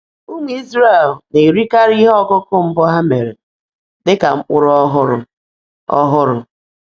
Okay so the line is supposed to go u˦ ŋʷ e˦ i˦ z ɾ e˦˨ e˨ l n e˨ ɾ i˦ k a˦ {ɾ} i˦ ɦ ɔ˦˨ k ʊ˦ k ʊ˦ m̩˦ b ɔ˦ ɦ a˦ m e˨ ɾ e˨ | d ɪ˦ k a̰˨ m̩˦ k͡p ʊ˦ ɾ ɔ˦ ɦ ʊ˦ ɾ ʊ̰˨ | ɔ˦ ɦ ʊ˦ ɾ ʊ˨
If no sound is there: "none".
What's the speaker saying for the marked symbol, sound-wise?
ɾ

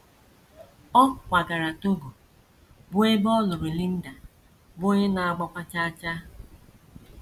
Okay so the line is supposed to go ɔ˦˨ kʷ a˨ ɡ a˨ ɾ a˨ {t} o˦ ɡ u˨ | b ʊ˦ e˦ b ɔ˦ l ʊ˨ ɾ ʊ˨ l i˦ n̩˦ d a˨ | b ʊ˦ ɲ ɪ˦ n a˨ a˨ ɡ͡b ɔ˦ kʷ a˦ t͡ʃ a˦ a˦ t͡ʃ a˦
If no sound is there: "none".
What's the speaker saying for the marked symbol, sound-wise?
t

